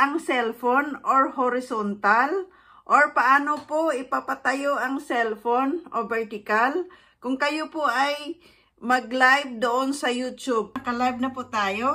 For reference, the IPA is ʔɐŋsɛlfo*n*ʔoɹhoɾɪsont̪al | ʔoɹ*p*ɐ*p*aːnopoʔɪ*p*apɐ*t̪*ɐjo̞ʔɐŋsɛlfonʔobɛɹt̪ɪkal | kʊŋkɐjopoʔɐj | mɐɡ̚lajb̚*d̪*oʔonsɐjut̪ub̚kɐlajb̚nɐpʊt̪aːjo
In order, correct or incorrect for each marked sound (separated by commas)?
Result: correct, correct, incorrect, correct, correct, correct